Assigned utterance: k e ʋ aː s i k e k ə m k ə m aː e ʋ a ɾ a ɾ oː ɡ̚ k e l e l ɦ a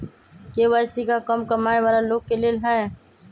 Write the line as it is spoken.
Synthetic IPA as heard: k e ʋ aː s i k a k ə m k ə m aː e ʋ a ɾ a l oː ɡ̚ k e l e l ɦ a

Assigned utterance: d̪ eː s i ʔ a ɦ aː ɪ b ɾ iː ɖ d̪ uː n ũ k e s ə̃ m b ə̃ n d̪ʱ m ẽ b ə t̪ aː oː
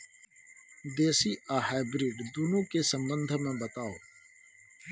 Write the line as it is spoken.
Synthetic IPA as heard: d̪ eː s i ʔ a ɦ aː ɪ b ɾ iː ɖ d̪ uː n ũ k e s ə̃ m b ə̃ n d̪ʱ m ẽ b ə t̪ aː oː

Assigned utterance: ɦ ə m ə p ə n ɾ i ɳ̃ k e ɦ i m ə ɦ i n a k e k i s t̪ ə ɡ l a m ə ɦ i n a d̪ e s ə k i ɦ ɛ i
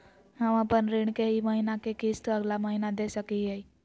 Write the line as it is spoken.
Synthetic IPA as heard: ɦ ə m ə p ə n ɾ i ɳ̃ k e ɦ i m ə ɦ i n a k e k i s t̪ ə ɡ l a m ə ɦ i n a d̪ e s ə k i ɦ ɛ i

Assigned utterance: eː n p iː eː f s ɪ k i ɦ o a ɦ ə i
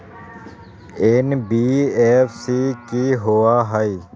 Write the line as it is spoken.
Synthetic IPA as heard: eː n b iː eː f s i k i ɦ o a ɦ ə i

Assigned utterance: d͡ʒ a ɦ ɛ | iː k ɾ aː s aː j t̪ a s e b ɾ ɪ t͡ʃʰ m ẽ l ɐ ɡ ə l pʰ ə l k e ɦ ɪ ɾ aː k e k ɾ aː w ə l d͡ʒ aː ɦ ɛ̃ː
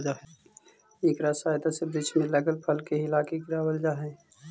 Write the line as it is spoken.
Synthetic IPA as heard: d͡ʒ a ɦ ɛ | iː k ɾ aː s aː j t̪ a s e b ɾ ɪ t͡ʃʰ m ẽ l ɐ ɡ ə l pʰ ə l k e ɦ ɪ l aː k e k ɾ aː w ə l d͡ʒ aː ɦ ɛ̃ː

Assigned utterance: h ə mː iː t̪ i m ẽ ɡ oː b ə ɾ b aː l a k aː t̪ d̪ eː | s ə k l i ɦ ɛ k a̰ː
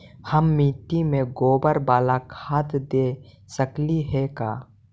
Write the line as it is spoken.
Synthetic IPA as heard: h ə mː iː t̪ i m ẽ ɡ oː b ə ɾ b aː l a kʰ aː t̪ d̪ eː | s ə k l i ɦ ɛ k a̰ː

